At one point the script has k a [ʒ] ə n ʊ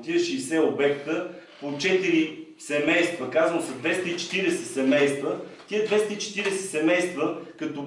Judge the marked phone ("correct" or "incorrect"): incorrect